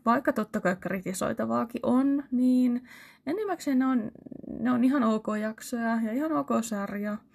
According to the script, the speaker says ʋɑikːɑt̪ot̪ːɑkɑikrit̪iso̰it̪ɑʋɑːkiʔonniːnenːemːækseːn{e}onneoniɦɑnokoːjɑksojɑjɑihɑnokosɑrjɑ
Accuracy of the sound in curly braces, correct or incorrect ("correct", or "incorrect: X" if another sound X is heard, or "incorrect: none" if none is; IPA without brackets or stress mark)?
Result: correct